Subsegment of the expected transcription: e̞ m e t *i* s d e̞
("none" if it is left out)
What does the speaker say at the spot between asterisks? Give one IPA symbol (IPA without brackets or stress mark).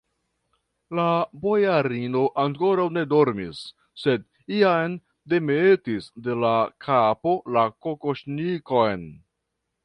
i